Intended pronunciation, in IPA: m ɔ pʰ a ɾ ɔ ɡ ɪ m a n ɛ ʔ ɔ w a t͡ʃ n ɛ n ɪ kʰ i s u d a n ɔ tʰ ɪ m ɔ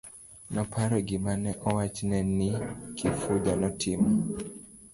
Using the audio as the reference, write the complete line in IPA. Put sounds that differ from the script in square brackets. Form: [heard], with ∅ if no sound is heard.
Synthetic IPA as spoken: [n] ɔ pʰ a ɾ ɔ ɡ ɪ m a n ɛ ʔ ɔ w a t͡ʃ n ɛ n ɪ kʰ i [f] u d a n ɔ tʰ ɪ m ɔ